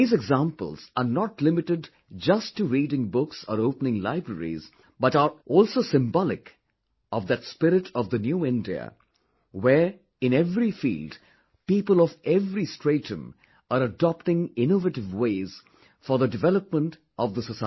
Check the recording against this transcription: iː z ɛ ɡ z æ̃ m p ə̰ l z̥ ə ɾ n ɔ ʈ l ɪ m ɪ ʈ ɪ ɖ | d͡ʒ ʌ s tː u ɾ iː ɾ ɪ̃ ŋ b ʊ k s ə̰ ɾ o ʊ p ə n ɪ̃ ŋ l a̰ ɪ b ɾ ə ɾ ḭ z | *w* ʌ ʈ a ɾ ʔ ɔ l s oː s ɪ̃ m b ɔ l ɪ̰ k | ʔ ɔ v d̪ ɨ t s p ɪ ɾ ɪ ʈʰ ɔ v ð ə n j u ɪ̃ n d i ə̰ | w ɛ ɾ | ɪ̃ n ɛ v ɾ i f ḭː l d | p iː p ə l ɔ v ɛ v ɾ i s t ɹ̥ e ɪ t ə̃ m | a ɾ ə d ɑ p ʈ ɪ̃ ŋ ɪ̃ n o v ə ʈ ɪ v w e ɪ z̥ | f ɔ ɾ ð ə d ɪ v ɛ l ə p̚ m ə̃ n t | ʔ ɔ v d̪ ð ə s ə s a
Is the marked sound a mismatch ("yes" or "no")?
yes